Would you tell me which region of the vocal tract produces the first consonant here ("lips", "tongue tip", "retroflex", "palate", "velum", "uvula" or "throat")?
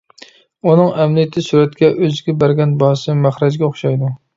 tongue tip